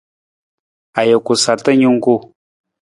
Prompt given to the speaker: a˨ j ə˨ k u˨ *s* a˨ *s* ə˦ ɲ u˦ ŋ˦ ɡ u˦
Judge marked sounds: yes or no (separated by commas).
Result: yes, no